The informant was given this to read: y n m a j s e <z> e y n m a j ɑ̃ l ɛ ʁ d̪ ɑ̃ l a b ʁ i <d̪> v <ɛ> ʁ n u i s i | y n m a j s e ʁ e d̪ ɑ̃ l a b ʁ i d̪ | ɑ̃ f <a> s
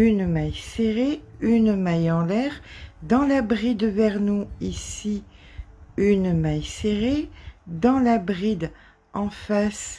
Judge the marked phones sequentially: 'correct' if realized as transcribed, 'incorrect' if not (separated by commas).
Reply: incorrect, correct, correct, correct